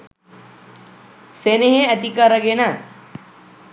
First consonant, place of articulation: alveolar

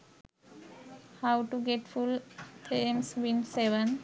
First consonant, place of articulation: glottal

